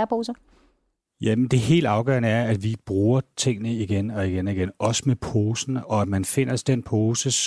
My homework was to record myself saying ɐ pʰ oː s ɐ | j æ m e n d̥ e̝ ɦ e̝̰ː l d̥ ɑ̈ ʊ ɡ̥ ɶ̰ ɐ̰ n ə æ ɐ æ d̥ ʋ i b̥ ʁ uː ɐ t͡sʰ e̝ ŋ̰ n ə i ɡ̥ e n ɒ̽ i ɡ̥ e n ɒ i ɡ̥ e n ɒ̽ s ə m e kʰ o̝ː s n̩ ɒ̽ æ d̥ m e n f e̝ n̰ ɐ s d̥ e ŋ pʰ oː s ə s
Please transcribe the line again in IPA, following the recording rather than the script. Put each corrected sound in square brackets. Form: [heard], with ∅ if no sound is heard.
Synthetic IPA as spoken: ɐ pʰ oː s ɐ | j æ m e n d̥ e̝ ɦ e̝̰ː l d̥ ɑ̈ ʊ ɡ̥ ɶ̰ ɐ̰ n ə æ ɐ æ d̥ ʋ i b̥ ʁ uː ɐ t͡sʰ e̝ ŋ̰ n ə i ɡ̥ e n ɒ̽ i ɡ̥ e n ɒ i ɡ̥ e n ɒ̽ s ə m e [pʰ] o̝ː s n̩ ɒ̽ æ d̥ m [æ] n f e̝ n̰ ɐ s d̥ e [n] pʰ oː s ə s